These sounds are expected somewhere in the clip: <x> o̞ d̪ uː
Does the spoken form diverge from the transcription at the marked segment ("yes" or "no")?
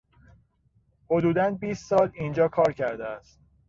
yes